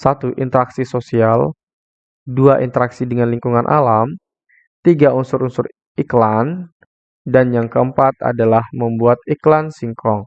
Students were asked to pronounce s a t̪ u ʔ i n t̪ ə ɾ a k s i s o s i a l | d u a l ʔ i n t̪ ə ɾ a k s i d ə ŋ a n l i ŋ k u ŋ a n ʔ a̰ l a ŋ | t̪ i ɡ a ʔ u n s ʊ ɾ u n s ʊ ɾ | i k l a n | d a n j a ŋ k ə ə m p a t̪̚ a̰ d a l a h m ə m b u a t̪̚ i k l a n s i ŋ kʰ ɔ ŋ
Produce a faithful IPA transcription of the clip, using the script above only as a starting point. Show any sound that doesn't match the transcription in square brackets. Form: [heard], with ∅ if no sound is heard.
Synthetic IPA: s a t̪ u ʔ i n t̪ ə ɾ a k s i s o s i a l | d u a [∅] ʔ i n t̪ ə ɾ a k s i d ə ŋ a n l i ŋ k u ŋ a n ʔ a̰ l a [m] | t̪ i ɡ a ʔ u n s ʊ ɾ u n s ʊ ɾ | i k l a n | d a n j a ŋ k ə ə m p a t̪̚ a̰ d a l a h m ə m b u a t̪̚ i k l a n s i ŋ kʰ ɔ ŋ